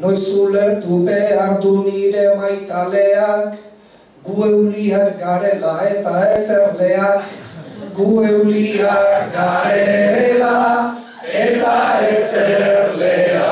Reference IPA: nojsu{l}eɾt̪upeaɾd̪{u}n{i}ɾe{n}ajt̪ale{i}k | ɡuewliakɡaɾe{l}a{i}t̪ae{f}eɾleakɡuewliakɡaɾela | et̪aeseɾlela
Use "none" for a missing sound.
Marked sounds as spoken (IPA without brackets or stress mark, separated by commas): l, u, i, m, a, l, e, s